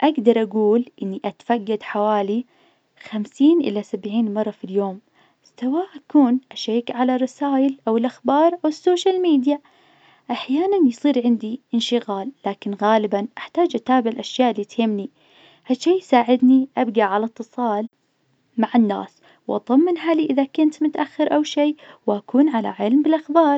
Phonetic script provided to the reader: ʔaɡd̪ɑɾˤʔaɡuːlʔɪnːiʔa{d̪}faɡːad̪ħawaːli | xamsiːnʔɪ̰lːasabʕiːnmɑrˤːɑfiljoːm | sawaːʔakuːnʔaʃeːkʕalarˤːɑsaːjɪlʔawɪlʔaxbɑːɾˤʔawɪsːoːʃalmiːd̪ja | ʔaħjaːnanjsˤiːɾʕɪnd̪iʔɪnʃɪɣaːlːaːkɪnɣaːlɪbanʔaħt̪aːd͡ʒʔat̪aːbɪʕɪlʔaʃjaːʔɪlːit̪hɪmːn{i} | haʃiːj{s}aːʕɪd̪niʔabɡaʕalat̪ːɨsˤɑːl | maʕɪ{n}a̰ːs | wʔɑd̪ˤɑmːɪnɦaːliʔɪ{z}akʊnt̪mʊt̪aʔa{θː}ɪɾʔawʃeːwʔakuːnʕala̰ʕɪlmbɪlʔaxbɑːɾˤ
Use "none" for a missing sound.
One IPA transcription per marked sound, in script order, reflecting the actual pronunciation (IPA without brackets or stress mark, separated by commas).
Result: t̪, i, s, nː, ð, xː